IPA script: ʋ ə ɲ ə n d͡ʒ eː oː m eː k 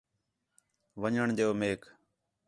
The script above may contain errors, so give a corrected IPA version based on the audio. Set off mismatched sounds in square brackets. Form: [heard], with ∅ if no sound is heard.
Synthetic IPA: ʋ ə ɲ ə [ɳ] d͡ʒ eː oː m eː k